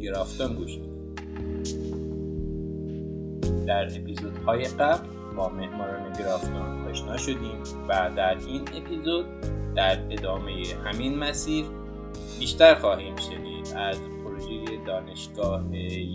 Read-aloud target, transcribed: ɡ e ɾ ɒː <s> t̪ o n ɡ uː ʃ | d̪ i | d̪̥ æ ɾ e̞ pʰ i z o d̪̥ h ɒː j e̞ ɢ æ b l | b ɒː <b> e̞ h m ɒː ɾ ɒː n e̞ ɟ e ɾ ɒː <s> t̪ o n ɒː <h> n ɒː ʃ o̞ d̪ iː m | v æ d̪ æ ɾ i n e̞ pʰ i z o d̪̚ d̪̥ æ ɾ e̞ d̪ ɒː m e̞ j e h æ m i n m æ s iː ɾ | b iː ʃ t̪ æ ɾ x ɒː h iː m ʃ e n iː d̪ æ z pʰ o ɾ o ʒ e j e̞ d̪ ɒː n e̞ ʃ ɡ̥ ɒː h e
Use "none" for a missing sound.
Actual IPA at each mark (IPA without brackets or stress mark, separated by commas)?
f, m, f, ʃ